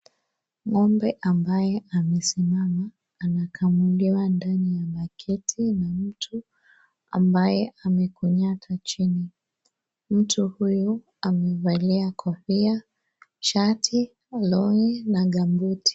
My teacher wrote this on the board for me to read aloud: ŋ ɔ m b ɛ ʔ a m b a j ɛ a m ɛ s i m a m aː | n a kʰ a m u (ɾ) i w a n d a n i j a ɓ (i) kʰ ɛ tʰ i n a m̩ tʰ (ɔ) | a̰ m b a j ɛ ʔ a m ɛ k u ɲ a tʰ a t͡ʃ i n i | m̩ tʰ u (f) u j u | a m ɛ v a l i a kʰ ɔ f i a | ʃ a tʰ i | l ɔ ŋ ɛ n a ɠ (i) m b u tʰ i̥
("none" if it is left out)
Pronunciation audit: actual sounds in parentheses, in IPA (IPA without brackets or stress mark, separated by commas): l, a, u, h, a